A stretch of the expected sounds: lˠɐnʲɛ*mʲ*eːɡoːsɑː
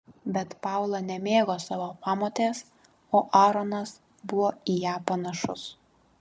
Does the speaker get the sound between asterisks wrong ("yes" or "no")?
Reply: no